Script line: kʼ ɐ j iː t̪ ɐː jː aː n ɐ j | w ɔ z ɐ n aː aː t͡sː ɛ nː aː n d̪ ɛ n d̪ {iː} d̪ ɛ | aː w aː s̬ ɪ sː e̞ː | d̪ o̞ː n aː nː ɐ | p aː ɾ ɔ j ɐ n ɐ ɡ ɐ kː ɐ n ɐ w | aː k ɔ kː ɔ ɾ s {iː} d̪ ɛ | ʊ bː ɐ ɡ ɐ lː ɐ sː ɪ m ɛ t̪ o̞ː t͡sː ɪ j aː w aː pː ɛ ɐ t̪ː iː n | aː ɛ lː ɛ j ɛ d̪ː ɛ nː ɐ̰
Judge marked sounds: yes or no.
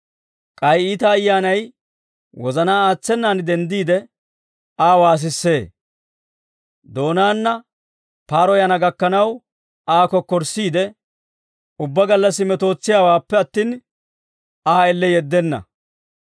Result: yes, yes

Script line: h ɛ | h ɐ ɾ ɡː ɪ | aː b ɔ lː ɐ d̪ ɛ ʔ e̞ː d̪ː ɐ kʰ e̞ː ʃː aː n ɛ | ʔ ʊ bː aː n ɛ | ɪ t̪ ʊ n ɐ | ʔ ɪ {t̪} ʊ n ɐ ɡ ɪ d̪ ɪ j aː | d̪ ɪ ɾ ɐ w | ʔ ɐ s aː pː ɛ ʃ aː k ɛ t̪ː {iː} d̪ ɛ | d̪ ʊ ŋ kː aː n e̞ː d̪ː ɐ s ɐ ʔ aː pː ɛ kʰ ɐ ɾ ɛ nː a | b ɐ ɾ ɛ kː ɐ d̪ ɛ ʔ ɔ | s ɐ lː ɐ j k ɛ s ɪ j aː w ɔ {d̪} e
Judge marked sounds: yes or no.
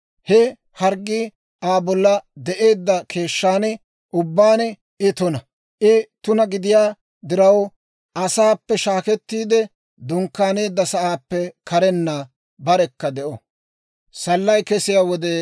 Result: yes, yes, yes

